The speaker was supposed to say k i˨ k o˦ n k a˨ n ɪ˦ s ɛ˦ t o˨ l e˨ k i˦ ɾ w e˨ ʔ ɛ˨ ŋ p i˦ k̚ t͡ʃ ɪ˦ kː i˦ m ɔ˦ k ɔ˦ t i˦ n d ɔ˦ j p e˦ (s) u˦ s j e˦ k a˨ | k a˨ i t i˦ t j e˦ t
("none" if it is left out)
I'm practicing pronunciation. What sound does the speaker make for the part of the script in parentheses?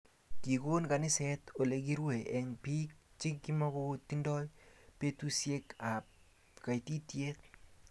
t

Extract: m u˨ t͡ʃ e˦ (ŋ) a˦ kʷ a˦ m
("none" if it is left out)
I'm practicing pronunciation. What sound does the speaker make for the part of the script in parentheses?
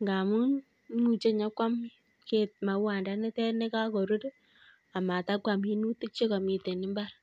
ɲ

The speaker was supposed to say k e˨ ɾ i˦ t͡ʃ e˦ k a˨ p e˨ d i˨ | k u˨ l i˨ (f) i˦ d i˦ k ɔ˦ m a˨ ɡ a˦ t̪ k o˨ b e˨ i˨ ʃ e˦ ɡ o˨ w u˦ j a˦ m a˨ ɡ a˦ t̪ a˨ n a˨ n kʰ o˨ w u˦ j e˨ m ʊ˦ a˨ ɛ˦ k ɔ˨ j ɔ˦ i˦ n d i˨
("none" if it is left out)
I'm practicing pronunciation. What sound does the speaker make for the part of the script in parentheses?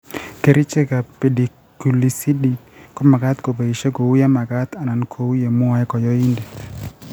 s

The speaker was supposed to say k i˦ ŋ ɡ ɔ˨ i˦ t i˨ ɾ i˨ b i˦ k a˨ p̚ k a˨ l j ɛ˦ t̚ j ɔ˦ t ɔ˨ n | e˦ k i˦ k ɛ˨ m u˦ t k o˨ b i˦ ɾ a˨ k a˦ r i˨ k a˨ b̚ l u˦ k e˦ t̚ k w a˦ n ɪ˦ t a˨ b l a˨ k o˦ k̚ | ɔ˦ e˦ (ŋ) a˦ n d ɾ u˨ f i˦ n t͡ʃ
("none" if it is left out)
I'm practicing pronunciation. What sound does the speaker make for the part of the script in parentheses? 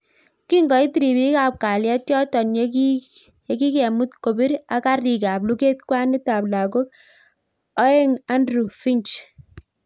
ŋ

